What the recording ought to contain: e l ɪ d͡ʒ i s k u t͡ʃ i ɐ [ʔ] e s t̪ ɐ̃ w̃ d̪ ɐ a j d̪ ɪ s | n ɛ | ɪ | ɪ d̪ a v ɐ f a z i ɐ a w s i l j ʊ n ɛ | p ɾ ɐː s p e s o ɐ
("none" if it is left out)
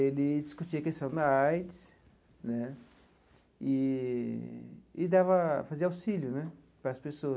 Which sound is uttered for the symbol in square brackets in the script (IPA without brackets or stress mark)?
k